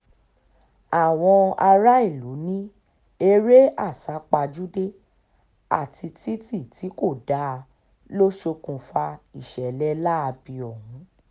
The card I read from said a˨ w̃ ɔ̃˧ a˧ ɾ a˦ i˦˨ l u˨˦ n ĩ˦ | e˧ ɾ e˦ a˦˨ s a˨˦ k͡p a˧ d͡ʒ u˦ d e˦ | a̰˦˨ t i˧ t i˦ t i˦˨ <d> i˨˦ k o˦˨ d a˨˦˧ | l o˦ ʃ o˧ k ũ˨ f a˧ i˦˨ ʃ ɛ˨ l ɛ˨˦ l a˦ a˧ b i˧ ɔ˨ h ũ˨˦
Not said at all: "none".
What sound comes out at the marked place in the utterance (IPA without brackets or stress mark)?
t